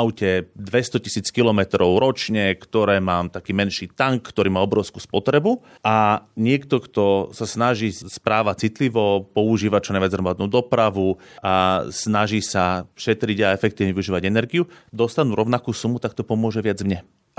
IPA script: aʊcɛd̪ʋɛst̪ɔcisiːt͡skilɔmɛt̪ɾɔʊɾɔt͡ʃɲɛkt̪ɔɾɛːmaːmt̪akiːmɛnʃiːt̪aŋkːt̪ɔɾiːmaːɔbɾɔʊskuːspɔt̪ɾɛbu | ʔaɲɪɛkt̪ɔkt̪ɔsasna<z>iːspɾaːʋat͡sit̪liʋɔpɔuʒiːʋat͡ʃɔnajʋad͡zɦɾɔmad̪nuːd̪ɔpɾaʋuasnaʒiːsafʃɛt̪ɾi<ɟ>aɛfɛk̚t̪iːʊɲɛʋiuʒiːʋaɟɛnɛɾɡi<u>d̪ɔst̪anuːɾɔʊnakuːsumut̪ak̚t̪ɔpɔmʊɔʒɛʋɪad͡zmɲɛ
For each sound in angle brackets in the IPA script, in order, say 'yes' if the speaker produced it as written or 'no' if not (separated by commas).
no, yes, yes